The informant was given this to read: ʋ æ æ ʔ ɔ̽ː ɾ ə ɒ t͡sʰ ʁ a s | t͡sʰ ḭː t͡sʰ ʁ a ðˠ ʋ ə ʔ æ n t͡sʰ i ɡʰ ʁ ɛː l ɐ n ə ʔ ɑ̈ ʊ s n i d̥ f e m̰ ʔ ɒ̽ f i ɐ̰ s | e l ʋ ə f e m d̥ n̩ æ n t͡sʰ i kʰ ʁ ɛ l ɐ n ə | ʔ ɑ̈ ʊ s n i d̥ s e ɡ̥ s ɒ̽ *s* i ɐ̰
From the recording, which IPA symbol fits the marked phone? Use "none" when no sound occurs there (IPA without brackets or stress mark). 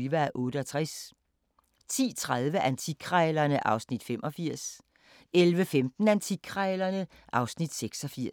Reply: f